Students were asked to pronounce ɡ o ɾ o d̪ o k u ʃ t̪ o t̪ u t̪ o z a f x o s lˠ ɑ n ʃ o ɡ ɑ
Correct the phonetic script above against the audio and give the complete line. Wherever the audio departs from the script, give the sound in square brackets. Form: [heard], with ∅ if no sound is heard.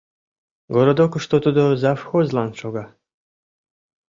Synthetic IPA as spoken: ɡ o ɾ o d̪ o k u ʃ t̪ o t̪ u [d̪] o z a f x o [z] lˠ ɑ n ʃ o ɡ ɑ